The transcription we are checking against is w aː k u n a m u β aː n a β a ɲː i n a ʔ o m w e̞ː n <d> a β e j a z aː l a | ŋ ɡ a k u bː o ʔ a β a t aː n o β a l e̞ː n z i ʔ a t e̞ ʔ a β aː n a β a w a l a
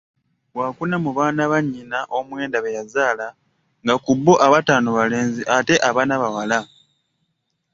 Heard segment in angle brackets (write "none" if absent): d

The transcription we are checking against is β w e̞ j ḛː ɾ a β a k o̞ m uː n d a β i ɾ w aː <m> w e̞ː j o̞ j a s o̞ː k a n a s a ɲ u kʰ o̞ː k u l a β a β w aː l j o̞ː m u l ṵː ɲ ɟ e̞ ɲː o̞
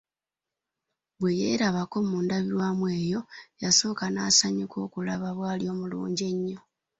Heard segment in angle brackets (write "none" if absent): m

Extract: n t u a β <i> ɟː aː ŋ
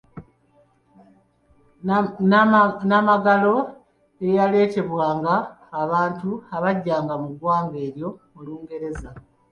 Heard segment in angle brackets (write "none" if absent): a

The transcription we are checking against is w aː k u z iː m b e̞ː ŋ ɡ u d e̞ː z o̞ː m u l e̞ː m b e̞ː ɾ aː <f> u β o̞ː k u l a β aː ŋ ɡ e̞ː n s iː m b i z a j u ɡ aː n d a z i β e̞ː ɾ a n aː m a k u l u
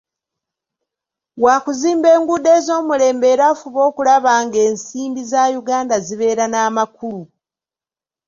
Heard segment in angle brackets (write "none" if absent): f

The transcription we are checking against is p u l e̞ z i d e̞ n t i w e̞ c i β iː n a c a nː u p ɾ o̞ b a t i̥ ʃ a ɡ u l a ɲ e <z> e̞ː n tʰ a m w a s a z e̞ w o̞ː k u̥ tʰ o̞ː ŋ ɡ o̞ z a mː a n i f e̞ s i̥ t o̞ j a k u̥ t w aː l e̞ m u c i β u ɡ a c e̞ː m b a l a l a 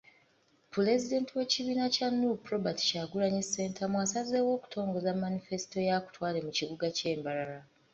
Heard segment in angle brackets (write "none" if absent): s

